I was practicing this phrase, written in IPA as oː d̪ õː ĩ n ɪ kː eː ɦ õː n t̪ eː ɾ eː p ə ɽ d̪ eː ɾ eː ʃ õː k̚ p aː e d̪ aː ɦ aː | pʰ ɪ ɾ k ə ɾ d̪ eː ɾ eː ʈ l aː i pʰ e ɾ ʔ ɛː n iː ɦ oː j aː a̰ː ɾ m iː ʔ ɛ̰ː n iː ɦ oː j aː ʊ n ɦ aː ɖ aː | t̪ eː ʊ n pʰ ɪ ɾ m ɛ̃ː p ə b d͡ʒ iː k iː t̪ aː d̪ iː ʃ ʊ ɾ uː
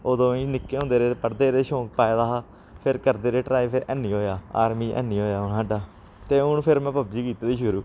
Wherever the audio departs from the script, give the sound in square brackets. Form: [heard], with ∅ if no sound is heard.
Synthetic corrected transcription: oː d̪ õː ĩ n ɪ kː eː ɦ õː n [d̪] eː ɾ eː p ə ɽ d̪ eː ɾ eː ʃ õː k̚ p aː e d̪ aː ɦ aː | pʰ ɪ ɾ k ə ɾ d̪ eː ɾ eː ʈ [ɾ] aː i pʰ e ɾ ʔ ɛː n iː ɦ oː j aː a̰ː ɾ m iː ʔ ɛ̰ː n iː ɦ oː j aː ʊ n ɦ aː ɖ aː | t̪ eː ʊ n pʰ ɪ ɾ m ɛ̃ː p ə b d͡ʒ iː k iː t̪ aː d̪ iː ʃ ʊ ɾ uː

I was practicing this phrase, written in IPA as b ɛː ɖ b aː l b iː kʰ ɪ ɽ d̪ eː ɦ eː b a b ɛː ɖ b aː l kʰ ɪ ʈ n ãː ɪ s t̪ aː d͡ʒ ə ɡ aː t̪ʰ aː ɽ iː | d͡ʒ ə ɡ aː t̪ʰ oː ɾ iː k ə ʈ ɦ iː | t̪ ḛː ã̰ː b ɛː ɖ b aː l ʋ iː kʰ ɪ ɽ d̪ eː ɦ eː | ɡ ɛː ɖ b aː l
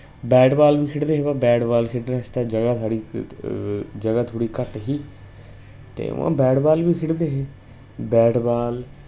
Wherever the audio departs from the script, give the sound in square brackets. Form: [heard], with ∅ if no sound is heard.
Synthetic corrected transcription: b ɛː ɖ b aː l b iː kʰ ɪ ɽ d̪ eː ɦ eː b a b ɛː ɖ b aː l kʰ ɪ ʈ n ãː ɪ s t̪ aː d͡ʒ ə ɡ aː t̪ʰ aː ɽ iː | d͡ʒ ə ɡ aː t̪ʰ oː [ɽ] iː k ə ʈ ɦ iː | t̪ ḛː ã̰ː b ɛː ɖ b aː l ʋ iː kʰ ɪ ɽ d̪ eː ɦ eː | [b] ɛː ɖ b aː l

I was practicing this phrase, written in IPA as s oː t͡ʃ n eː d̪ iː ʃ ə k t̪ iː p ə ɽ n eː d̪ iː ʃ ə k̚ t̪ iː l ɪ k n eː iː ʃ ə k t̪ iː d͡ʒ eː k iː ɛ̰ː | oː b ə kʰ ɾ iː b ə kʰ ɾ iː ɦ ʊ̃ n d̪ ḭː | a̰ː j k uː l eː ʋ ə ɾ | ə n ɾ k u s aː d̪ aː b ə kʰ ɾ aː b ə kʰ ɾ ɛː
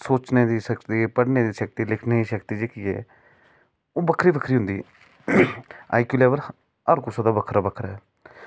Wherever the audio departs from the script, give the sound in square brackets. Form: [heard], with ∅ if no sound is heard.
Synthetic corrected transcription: s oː t͡ʃ n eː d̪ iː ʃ ə k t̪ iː p ə ɽ n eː d̪ iː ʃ ə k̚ t̪ iː l ɪ [kʰ] n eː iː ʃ ə k t̪ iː d͡ʒ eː k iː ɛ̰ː | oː b ə kʰ ɾ iː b ə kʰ ɾ iː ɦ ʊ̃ n d̪ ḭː | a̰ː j k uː l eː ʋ ə ɾ | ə [∅] ɾ k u s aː d̪ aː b ə kʰ ɾ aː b ə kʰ ɾ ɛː

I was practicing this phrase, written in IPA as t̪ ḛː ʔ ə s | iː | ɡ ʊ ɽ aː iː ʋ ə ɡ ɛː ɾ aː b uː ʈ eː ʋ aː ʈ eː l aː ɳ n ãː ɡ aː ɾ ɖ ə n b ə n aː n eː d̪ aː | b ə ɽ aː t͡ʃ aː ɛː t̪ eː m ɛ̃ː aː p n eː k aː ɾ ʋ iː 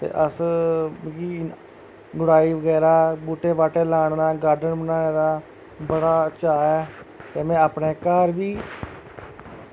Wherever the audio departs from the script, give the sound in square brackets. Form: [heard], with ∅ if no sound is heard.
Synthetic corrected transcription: t̪ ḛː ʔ ə s | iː | ɡ ʊ ɽ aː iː ʋ ə ɡ ɛː ɾ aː b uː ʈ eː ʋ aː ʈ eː l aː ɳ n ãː ɡ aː ɾ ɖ ə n b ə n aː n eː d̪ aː | b ə ɽ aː t͡ʃ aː ɛː t̪ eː m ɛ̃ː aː p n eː k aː ɾ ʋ iː

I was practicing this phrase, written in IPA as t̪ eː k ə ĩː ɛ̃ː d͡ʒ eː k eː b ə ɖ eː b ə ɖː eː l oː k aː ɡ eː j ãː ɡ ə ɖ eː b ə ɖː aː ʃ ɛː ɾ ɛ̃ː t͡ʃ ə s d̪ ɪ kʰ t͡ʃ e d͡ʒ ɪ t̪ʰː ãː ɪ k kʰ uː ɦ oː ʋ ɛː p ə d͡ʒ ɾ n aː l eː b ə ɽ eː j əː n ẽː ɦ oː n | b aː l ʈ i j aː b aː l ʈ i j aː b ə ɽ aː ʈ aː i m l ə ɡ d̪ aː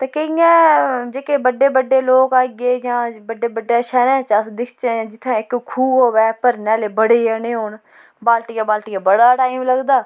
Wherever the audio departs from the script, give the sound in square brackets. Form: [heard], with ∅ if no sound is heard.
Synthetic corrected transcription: t̪ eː k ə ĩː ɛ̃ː d͡ʒ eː k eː b ə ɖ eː b ə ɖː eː l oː k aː ɡ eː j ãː [b] ə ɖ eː b ə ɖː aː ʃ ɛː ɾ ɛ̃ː t͡ʃ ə s d̪ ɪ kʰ t͡ʃ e d͡ʒ ɪ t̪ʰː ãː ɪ k kʰ uː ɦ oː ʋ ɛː p ə [∅] ɾ n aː l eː b ə ɽ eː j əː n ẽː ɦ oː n | b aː l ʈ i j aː b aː l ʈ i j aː b ə ɽ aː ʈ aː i m l ə ɡ d̪ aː

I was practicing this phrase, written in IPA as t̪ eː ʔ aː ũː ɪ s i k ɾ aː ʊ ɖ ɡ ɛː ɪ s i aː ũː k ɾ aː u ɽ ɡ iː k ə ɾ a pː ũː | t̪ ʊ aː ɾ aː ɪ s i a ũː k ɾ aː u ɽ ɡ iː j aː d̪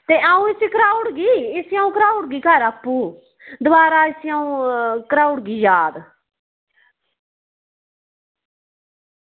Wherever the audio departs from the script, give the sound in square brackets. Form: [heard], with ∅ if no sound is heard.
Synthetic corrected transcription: t̪ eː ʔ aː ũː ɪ s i k ɾ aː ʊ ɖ ɡ [iː] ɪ s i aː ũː k ɾ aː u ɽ ɡ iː k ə ɾ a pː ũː | [d̪] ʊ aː ɾ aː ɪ s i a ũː k ɾ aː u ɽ ɡ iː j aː d̪

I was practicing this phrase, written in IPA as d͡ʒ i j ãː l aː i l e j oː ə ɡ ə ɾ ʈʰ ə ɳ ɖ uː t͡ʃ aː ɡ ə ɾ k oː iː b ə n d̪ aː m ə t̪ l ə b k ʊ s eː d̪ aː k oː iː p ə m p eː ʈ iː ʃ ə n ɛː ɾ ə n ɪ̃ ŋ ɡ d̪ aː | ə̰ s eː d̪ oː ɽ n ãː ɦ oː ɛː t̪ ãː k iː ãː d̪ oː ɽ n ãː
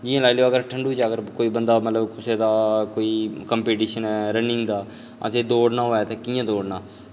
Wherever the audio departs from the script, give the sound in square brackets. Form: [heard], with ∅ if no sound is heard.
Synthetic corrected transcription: d͡ʒ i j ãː l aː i l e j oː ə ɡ ə ɾ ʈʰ ə ɳ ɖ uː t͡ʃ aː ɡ ə ɾ k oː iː b ə n d̪ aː m ə t̪ l ə b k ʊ s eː d̪ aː k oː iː [k] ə m p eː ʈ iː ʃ ə n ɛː ɾ ə n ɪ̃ ŋ ɡ d̪ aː | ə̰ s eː d̪ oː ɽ n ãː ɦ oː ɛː t̪ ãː k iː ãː d̪ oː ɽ n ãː

